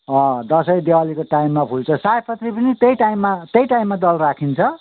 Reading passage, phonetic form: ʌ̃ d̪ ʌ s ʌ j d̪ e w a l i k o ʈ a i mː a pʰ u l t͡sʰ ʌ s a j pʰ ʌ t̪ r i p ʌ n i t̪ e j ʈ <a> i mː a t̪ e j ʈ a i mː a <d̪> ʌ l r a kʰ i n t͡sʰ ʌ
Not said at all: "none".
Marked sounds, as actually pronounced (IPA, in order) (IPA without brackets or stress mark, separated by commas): a, d̪